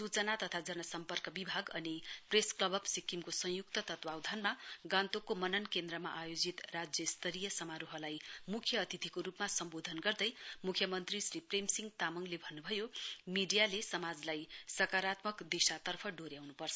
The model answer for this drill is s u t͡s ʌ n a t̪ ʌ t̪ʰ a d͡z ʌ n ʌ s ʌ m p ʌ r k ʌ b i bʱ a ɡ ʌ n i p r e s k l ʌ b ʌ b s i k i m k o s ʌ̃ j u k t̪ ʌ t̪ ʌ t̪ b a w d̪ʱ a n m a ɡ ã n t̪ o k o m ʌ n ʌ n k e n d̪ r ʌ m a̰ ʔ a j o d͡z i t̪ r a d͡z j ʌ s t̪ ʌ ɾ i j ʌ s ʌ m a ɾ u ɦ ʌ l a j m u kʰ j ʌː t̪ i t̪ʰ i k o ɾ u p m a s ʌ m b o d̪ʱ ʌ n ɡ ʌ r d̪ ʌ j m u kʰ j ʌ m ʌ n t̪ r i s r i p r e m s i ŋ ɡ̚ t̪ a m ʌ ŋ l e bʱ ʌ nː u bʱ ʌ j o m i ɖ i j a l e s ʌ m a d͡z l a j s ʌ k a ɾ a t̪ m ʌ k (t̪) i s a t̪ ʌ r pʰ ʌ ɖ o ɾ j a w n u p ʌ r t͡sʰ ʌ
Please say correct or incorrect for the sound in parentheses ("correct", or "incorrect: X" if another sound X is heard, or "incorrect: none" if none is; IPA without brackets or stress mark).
incorrect: d̪